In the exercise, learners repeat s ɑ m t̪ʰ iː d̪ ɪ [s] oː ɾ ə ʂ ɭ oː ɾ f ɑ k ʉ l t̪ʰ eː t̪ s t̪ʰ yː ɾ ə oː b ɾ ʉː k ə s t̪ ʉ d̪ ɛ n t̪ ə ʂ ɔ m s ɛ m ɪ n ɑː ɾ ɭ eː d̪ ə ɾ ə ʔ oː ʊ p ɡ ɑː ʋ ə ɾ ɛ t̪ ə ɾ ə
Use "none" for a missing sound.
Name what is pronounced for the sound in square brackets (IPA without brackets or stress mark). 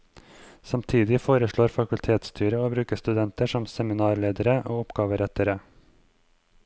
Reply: f